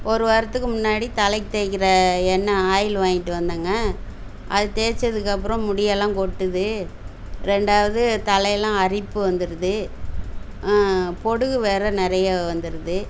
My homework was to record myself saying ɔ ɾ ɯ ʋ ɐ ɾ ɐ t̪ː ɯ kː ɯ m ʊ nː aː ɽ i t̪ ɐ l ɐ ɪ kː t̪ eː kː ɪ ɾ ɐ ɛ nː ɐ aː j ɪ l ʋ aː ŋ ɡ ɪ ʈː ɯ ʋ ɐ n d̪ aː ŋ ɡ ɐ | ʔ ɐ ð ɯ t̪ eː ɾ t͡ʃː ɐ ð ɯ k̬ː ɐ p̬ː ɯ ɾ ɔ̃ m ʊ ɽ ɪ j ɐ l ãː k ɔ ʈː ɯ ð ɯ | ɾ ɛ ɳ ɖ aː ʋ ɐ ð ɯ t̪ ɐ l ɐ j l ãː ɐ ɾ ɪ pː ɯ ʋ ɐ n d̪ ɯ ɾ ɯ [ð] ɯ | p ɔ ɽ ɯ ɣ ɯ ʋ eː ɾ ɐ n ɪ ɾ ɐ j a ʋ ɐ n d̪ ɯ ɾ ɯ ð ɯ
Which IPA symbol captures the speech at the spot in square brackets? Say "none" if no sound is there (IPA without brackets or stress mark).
ð